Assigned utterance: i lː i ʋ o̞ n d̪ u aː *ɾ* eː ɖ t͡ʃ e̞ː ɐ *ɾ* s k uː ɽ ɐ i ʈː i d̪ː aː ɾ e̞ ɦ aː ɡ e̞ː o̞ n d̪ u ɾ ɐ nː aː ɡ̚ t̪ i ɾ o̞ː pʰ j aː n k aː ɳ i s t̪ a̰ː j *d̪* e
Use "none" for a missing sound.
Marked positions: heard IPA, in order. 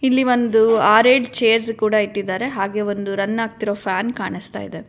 ɾ, ɾ, d̪

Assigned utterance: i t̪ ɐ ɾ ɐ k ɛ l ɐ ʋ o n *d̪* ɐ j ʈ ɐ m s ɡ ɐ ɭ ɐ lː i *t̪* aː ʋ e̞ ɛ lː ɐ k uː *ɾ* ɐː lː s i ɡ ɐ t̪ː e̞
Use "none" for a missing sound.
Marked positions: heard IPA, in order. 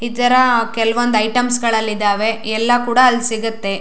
d̪, d̪, ɽ

